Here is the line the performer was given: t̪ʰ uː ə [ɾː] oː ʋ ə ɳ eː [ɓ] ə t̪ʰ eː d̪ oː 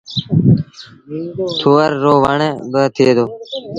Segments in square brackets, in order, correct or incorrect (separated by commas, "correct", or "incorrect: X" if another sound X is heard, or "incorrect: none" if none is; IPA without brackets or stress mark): correct, incorrect: b